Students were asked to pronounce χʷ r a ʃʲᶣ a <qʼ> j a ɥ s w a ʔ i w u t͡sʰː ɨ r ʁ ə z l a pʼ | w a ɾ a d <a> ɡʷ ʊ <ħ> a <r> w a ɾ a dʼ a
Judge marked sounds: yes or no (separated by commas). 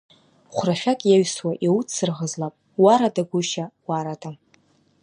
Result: no, yes, no, no